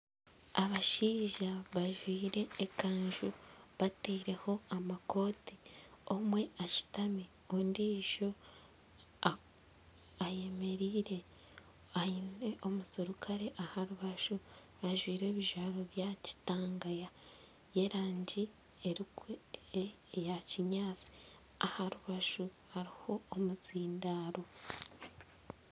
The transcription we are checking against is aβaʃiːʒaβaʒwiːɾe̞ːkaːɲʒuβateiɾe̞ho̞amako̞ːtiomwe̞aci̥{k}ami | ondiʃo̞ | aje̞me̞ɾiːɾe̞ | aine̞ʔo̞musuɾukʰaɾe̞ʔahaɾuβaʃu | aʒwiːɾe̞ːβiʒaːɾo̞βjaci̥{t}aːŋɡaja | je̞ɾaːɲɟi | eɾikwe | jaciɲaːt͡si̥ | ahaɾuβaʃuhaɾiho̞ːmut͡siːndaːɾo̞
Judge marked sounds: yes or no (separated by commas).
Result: no, yes